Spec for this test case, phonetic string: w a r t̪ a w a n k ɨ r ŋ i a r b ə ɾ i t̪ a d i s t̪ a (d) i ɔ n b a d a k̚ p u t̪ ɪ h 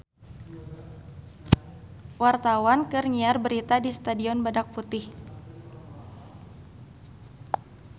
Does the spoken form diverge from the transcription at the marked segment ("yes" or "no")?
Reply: no